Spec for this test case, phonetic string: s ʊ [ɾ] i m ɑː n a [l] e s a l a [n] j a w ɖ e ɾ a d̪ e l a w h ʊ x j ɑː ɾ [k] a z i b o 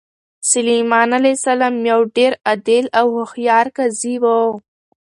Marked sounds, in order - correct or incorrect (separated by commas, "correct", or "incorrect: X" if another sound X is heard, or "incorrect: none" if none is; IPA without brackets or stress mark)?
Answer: incorrect: l, correct, incorrect: m, correct